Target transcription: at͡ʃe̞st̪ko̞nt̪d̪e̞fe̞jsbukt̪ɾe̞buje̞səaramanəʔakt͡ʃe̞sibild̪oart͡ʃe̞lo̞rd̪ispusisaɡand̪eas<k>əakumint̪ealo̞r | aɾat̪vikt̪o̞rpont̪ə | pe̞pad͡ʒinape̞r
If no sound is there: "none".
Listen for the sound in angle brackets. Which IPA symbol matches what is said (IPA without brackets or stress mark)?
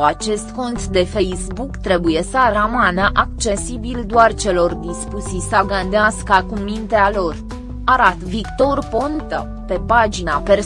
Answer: k